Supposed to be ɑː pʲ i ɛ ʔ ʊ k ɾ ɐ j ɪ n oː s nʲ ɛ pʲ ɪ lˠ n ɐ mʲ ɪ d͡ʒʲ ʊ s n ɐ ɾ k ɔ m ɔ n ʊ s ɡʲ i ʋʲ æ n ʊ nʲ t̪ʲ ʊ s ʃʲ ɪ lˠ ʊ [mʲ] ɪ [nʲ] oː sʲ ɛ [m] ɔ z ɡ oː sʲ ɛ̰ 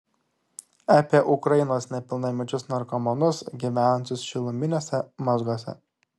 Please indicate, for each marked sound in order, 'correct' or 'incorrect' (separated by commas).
correct, correct, correct